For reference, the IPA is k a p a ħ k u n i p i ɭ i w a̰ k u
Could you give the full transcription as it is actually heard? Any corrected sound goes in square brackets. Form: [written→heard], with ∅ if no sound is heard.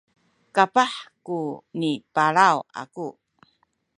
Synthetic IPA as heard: k a p a ħ k u n i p [i→a] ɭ [i→a] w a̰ k u